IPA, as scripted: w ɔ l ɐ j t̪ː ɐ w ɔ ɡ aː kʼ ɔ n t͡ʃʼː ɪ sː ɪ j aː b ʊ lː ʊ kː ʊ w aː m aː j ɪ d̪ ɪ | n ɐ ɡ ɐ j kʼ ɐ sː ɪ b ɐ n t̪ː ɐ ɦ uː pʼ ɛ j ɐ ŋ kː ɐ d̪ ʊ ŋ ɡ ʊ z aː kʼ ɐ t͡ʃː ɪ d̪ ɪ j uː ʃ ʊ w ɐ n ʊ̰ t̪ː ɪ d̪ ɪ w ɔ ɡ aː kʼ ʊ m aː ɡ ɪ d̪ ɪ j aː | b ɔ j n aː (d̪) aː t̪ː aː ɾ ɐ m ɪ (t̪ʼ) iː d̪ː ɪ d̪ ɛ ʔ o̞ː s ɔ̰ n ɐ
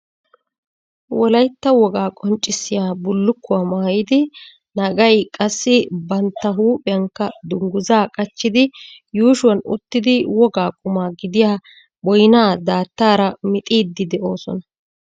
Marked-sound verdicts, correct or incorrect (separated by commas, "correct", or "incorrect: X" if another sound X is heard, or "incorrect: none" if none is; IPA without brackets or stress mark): correct, correct